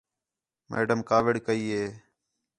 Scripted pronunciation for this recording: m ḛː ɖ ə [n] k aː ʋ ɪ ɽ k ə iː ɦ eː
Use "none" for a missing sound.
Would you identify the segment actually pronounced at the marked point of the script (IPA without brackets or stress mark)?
m